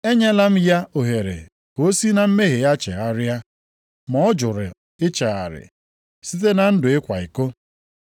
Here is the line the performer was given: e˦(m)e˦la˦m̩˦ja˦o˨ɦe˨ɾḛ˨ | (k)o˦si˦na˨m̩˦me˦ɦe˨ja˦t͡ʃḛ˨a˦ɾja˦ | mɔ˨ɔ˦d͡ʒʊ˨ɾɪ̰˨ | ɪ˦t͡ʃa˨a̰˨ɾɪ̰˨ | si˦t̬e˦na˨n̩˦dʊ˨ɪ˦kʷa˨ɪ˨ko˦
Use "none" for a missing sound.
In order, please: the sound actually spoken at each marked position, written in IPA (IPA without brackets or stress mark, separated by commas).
ɲ, k